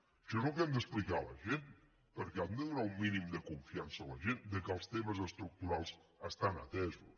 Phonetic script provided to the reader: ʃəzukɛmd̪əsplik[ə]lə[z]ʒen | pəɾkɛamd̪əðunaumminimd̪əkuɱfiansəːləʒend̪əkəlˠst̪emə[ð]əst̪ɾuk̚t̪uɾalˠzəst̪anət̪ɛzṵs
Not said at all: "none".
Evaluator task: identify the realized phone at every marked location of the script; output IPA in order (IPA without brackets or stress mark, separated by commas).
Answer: a, none, z